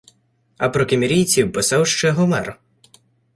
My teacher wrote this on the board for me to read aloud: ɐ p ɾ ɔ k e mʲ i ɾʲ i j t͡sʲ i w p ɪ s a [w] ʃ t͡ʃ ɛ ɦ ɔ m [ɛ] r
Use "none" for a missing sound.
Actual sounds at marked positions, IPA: w, ɛ

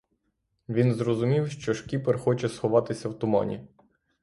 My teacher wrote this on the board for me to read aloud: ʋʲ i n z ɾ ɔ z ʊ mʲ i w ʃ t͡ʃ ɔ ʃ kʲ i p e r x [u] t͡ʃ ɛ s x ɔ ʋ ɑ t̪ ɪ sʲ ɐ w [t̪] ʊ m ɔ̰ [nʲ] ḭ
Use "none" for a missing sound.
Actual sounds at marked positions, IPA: ɔ, t̪, nʲ

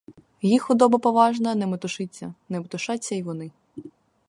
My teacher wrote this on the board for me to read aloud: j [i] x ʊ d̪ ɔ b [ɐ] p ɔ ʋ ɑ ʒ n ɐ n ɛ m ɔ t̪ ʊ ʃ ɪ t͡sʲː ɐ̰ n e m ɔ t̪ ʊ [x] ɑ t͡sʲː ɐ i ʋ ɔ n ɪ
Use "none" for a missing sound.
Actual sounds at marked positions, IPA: i, ɐ, ʃ

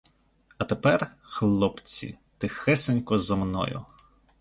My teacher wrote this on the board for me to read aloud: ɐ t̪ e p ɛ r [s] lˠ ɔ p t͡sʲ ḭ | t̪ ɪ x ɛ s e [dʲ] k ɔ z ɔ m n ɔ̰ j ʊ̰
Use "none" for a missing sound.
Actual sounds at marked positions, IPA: x, nʲ

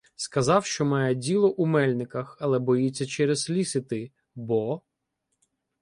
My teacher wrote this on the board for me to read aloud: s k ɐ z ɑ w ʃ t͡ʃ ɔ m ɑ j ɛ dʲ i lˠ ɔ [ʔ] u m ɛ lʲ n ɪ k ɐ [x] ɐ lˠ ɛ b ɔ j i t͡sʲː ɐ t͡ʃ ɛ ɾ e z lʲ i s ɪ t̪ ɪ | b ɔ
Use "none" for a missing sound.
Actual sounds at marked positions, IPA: ʔ, x

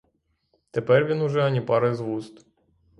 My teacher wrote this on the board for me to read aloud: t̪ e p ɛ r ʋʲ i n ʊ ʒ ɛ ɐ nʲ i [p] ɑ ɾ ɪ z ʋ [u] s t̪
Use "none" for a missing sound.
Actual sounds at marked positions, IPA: p, u

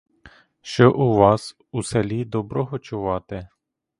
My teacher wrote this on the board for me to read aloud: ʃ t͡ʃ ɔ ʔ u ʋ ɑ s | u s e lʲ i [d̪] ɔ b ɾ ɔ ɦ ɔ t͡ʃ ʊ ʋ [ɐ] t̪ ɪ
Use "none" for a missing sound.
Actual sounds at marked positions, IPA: d̪, ɑ

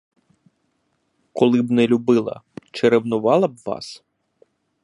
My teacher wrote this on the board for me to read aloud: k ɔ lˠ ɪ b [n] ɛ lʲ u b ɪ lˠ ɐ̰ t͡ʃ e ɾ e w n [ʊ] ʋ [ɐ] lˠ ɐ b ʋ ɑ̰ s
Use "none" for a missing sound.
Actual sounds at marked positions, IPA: n, ʊ, ɑ

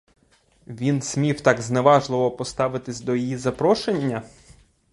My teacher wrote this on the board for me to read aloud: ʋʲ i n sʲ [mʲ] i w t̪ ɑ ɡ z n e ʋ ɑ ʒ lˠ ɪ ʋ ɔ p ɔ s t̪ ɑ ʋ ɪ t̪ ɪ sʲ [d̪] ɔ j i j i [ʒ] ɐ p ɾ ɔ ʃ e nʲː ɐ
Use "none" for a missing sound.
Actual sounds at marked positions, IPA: mʲ, d̪, z

